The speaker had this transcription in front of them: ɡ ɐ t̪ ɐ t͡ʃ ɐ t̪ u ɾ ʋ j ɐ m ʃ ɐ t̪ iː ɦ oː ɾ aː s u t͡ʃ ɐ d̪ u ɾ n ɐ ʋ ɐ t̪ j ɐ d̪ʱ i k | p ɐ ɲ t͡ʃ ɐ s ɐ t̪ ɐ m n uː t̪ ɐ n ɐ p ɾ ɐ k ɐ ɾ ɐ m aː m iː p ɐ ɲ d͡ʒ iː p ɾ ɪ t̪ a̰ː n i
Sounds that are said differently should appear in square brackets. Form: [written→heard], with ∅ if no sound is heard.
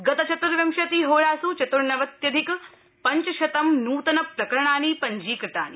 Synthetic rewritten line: ɡ ɐ t̪ ɐ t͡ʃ ɐ t̪ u ɾ ʋ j ɐ m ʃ ɐ t̪ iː ɦ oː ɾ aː s u t͡ʃ ɐ [d̪→t̪] u ɾ n ɐ ʋ ɐ t̪ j ɐ d̪ʱ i k | p ɐ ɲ t͡ʃ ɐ [s→ʃ] ɐ t̪ ɐ m n uː t̪ ɐ n ɐ p ɾ ɐ k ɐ ɾ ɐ [m→ɳ] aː [m→n] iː p ɐ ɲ d͡ʒ iː [p→k] ɾ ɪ t̪ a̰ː n i